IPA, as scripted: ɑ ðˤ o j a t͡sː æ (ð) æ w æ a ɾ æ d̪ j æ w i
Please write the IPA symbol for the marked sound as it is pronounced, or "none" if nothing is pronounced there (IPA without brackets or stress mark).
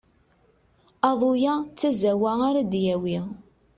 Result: z